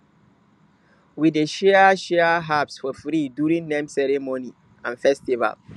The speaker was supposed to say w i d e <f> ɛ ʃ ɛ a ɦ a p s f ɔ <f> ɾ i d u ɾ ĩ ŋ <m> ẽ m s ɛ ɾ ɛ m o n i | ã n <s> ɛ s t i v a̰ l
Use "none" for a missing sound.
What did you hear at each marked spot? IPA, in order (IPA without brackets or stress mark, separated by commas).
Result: ʃ, f, n, f